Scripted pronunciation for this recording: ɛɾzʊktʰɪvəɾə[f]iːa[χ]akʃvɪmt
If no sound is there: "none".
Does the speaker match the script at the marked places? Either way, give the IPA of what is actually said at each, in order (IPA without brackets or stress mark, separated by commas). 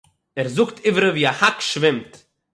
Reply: v, h